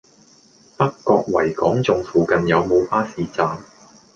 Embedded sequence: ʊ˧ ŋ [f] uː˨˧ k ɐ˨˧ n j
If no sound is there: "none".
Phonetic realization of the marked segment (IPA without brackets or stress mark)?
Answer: f